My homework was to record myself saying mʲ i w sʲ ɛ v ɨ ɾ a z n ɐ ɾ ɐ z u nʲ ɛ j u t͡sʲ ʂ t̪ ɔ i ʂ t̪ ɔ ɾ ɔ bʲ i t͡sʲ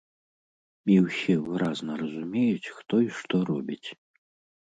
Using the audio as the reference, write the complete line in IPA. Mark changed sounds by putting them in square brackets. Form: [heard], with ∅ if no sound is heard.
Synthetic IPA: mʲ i w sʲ ɛ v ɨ ɾ a z n ɐ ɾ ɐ z u [mʲ] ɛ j u t͡sʲ [x] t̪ ɔ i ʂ t̪ ɔ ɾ ɔ bʲ i t͡sʲ